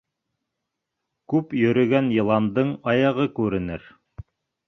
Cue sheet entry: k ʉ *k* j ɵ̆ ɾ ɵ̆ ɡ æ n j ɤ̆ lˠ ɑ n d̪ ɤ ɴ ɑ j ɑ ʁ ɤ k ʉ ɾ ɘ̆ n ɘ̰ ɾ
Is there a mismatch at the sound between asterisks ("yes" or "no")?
yes